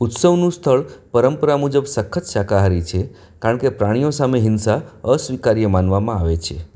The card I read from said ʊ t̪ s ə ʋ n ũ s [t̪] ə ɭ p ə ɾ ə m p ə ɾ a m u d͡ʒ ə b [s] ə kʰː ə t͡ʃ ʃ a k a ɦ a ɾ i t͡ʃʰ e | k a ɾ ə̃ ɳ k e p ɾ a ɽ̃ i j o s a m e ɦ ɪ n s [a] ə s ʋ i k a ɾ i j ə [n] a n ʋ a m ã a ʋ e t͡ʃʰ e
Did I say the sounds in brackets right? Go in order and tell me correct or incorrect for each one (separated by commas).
incorrect, correct, correct, incorrect